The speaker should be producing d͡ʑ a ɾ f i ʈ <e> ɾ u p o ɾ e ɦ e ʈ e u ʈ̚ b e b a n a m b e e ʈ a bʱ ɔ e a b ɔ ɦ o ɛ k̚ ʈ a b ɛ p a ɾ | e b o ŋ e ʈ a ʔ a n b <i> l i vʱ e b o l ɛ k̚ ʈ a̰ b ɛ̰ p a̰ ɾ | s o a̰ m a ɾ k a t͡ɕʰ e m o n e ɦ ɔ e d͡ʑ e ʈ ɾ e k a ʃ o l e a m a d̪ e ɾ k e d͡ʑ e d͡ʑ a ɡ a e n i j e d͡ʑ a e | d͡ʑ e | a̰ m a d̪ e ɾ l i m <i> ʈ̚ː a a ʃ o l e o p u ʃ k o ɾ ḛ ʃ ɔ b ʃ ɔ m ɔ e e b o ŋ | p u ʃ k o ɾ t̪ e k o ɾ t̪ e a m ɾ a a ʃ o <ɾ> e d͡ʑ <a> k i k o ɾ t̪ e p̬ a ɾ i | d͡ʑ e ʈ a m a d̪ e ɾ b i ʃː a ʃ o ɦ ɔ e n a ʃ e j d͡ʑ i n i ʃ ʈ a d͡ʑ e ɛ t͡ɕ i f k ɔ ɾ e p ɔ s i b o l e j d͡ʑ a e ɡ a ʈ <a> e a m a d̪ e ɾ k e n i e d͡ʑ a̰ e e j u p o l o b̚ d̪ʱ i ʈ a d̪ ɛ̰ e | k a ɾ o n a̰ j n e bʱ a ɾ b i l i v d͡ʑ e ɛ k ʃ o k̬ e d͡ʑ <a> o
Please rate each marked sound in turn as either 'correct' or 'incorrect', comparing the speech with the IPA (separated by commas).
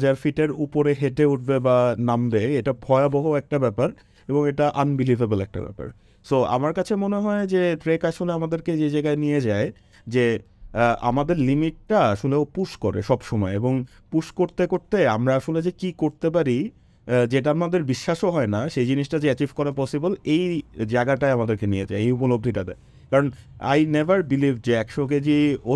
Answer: correct, correct, correct, incorrect, incorrect, correct, incorrect